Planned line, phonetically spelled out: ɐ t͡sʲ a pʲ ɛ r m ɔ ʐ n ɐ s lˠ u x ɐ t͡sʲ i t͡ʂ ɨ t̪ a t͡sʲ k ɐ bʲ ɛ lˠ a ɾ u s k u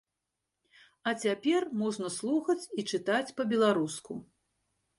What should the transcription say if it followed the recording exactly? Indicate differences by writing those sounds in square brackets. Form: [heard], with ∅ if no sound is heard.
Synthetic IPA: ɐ t͡sʲ a pʲ ɛ r m ɔ ʐ n ɐ s lˠ u x ɐ t͡sʲ i t͡ʂ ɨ t̪ a t͡sʲ [p] ɐ bʲ ɛ lˠ a ɾ u s k u